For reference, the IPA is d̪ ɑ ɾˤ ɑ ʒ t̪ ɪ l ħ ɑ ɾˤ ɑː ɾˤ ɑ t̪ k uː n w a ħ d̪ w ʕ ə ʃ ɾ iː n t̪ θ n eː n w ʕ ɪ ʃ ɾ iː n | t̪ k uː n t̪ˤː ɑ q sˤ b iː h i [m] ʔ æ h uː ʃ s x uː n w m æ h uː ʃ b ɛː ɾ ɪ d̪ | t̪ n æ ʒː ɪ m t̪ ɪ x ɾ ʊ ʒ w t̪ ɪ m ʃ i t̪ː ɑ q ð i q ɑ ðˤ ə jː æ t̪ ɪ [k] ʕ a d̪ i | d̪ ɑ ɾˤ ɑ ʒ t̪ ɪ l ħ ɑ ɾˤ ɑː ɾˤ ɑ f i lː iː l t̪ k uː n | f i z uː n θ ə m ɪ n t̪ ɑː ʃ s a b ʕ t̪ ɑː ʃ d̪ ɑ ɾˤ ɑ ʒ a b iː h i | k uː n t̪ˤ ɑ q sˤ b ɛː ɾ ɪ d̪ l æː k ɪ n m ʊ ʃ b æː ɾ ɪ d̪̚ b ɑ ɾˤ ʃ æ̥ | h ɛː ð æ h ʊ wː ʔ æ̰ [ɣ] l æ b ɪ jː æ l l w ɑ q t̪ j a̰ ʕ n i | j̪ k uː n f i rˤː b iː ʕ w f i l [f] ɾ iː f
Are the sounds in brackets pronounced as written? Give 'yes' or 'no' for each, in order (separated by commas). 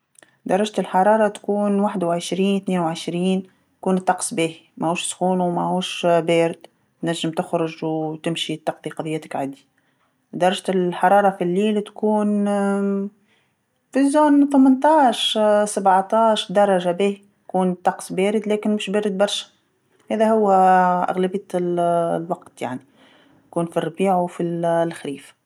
yes, yes, yes, no